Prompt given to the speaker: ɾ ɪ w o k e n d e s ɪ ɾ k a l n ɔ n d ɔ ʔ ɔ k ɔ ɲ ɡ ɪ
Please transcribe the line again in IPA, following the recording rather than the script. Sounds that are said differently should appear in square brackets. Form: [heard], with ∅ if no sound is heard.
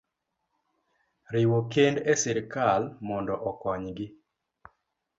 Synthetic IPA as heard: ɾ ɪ w o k e n d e s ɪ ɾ k a l [m] ɔ n d ɔ ʔ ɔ k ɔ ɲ ɡ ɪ